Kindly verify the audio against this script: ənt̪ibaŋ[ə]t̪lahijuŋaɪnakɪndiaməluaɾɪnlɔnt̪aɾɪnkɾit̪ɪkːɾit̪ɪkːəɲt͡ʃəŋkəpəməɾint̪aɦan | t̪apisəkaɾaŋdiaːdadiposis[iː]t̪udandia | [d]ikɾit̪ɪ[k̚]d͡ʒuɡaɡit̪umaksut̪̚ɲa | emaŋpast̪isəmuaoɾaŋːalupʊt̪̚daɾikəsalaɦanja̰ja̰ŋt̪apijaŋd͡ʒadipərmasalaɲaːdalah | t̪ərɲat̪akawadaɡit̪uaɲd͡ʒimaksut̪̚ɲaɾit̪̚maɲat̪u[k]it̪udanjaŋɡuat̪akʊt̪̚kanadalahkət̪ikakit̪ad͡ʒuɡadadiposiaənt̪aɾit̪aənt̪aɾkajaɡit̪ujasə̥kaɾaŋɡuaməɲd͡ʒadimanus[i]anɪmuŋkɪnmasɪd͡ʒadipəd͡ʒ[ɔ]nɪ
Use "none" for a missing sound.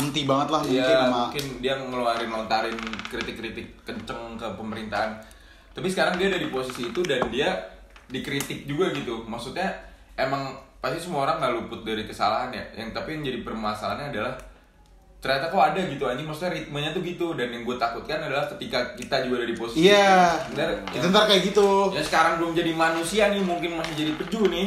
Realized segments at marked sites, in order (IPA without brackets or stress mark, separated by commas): ə, iː, d, k̚, ɡ, i, u